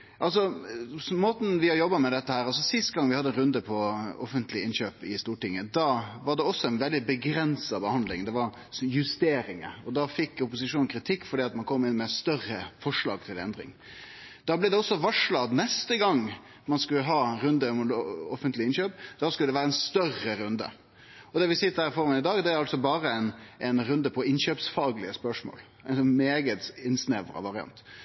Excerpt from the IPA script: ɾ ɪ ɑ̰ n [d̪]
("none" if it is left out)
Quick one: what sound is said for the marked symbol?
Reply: t̪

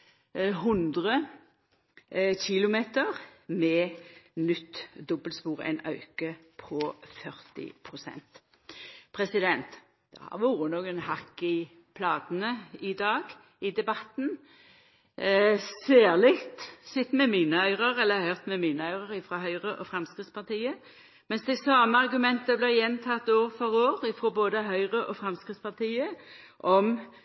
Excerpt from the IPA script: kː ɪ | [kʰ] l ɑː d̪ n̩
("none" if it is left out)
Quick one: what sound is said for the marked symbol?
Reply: pʰ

